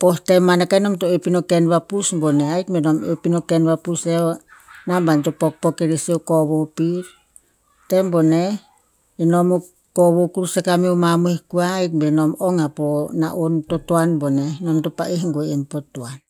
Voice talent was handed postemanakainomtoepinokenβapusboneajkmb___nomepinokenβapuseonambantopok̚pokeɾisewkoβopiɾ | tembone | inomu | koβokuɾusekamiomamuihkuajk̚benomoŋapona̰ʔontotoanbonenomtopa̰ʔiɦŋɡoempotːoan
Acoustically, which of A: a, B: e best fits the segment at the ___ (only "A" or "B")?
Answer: B